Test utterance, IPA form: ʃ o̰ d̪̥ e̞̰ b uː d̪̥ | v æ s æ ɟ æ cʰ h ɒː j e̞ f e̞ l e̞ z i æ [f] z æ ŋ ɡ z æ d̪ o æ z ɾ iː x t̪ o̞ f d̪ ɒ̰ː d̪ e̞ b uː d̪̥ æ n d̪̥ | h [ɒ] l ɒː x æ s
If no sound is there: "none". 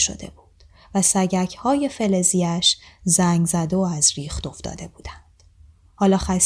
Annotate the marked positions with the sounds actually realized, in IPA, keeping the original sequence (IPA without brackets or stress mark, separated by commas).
ʃ, ɒː